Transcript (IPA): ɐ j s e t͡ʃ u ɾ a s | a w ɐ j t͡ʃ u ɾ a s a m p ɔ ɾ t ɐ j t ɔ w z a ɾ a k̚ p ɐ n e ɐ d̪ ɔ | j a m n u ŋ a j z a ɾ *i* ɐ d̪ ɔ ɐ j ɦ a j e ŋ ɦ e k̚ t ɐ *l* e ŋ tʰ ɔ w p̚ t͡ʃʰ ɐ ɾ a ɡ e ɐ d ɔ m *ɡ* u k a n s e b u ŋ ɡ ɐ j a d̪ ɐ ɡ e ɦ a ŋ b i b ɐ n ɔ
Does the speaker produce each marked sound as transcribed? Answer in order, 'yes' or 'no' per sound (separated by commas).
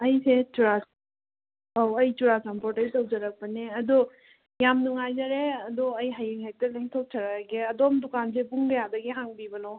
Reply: no, yes, no